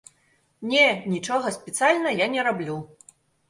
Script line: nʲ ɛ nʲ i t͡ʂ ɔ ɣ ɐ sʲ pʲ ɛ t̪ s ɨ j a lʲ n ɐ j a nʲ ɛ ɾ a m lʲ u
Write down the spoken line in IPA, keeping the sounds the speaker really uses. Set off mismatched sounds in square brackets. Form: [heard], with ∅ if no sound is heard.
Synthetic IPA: nʲ ɛ nʲ i t͡ʂ ɔ ɣ ɐ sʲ pʲ ɛ t̪ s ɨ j a lʲ n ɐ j a nʲ ɛ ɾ a [b] lʲ u